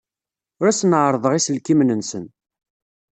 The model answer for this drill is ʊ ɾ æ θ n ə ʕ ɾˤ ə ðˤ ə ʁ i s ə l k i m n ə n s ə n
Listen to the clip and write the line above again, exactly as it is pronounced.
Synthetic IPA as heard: ʊ ɾ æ s n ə ʕ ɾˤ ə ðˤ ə ʁ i s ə l k i m n ə n s ə n